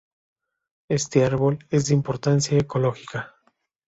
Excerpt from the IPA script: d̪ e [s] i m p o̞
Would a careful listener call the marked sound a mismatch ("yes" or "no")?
yes